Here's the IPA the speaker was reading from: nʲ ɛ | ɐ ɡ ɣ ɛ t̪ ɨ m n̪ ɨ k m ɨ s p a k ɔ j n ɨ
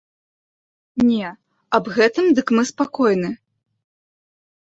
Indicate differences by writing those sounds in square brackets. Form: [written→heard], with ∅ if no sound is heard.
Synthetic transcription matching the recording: nʲ ɛ | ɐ [ɡ→b] ɣ ɛ t̪ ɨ m [n̪→d̪] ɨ k m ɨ s p a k ɔ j n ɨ